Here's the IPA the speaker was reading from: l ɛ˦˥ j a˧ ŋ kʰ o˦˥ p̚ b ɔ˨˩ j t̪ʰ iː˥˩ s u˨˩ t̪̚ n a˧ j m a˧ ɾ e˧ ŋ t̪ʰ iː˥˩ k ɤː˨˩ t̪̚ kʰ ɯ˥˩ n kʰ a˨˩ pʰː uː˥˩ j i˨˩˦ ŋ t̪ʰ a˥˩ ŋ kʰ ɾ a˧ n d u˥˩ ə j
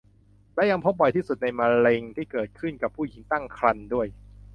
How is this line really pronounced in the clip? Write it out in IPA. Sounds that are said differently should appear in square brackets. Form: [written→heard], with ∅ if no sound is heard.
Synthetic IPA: l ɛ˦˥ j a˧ ŋ [kʰ→pʰ] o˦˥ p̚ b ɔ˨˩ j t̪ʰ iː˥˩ s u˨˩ t̪̚ n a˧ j m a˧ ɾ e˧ ŋ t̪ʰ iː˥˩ k ɤː˨˩ t̪̚ kʰ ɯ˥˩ n [kʰ→k] a˨˩ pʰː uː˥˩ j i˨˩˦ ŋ [t̪ʰ→t̪] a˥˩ ŋ kʰ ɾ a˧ n d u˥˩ ə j